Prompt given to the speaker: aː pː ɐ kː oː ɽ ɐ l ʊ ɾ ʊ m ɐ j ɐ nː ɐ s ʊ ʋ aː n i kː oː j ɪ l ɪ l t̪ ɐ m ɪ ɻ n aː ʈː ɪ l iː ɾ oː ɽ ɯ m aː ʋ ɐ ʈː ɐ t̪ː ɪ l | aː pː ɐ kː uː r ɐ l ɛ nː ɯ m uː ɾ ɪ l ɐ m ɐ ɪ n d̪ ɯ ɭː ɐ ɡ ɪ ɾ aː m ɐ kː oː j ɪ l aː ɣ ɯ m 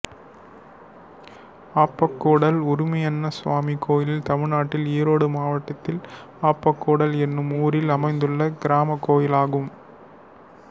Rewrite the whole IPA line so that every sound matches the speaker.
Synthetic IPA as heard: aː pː ɐ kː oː ɽ ɐ l ʊ ɾ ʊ m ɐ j ɐ nː ɐ s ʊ ʋ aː m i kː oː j ɪ l ɪ l t̪ ɐ m ɪ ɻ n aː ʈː ɪ l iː ɾ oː ɽ ɯ m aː ʋ ɐ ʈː ɐ t̪ː ɪ l | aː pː ɐ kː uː ɽ ɐ l ɛ nː ɯ m uː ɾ ɪ l ɐ m ɐ ɪ n d̪ ɯ ɭː ɐ ɡ ɪ ɾ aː m ɐ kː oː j ɪ l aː ɣ ɯ m